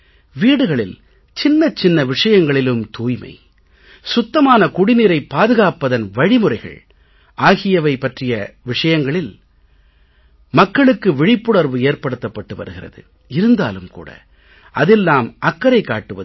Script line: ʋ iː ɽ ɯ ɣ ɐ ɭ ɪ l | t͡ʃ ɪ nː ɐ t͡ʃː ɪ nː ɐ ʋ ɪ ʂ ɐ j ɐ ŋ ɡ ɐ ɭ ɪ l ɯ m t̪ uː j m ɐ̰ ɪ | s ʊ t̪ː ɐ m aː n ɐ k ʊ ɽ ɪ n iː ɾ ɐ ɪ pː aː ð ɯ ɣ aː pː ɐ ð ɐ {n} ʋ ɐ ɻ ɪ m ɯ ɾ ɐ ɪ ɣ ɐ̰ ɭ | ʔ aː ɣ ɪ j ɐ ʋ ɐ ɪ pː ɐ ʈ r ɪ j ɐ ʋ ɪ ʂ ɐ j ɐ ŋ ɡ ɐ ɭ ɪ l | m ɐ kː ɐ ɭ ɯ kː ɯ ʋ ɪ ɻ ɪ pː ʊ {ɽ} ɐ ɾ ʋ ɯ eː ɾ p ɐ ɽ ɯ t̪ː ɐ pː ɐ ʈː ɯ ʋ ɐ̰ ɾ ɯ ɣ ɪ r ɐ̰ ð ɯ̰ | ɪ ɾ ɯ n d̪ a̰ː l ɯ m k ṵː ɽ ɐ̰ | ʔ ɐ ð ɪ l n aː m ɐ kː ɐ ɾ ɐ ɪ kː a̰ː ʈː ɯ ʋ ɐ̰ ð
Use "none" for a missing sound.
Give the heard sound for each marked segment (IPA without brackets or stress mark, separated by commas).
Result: n, ɽ